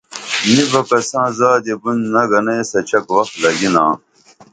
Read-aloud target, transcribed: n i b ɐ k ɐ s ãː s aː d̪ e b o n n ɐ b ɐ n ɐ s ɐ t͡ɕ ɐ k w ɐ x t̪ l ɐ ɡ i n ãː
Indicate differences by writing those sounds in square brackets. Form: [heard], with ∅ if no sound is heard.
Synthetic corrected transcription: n i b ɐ k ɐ s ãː [z] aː d̪ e b [u] n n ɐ [ɡ] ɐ n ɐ s ɐ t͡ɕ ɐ k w ɐ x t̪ l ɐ ɡ i n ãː